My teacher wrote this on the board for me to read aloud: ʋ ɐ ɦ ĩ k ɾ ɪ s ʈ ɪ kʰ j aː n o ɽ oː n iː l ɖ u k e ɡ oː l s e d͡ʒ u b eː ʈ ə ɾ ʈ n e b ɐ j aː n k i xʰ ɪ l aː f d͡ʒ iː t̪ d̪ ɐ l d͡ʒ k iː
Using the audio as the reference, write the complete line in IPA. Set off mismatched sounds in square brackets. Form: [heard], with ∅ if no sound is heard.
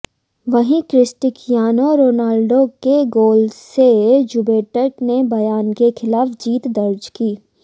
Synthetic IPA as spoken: ʋ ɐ ɦ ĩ k ɾ ɪ s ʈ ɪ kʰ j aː n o [ɾ] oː n [aː] l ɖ [o] k e ɡ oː l s e d͡ʒ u b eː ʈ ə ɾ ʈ n e b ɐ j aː n k [e] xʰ ɪ l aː f d͡ʒ iː t̪ d̪ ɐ [ɾ] d͡ʒ k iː